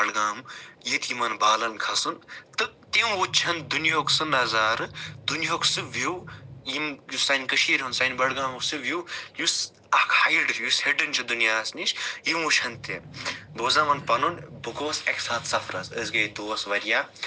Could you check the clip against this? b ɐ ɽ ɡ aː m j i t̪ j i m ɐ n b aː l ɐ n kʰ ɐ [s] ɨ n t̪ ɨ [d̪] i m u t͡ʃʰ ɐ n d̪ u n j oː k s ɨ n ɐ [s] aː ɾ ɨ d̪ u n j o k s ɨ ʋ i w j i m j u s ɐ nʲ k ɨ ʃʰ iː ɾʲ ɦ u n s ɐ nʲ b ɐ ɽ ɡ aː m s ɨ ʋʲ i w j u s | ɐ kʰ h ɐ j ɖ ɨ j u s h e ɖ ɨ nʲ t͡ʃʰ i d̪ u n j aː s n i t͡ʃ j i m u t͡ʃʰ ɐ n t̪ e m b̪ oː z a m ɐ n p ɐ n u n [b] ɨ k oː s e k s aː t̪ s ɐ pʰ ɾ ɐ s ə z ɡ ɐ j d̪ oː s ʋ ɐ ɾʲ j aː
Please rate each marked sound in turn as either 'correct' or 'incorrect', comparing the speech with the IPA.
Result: correct, incorrect, incorrect, correct

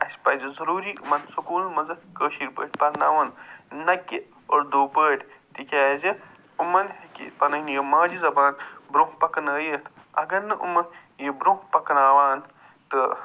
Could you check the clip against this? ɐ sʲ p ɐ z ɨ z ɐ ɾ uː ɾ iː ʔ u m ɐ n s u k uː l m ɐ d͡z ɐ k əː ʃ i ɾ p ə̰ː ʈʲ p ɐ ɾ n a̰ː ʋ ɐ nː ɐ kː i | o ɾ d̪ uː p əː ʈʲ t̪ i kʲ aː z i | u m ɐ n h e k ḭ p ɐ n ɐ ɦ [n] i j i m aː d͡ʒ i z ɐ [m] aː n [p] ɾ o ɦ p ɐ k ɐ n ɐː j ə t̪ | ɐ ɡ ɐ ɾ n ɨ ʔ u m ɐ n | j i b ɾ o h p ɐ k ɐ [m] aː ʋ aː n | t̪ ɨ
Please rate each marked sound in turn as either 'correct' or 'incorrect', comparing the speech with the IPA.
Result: correct, incorrect, incorrect, incorrect

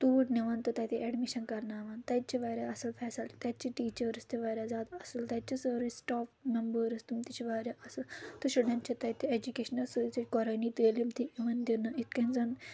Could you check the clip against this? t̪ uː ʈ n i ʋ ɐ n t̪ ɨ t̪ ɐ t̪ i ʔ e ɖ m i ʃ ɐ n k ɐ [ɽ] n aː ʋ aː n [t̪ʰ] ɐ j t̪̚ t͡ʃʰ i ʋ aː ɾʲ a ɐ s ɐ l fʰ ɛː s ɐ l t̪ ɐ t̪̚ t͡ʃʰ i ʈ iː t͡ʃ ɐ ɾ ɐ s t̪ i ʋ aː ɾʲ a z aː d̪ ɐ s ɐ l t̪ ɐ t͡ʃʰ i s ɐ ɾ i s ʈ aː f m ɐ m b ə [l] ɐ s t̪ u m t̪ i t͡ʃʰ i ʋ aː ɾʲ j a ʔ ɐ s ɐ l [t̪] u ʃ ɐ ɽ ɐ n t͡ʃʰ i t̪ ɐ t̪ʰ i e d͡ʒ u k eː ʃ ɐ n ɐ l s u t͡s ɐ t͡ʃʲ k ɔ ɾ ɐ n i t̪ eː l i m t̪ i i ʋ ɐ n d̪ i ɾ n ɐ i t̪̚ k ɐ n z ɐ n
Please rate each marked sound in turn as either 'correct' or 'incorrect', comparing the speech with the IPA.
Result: incorrect, incorrect, incorrect, correct

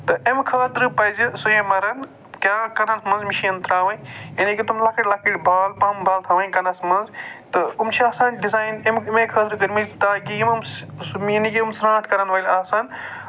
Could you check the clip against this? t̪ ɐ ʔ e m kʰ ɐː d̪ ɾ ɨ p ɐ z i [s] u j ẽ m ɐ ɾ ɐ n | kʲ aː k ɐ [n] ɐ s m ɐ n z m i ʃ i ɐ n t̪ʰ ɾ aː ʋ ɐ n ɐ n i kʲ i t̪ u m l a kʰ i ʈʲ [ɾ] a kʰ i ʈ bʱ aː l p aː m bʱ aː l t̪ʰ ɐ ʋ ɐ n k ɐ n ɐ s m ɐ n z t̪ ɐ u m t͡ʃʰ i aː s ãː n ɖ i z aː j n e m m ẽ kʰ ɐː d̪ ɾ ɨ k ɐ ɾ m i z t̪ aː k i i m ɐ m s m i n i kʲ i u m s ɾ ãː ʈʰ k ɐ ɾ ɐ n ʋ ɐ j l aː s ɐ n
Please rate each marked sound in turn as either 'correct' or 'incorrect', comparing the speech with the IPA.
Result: correct, correct, incorrect

